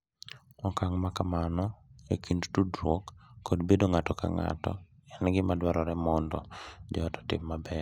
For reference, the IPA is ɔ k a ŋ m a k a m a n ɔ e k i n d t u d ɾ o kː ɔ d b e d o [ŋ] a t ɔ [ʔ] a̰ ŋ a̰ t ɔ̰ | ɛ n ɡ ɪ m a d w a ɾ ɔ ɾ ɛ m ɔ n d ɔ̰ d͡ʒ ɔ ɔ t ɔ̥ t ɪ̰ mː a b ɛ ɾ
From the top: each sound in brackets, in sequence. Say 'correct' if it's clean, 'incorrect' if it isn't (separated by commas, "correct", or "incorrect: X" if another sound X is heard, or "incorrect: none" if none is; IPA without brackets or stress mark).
correct, incorrect: k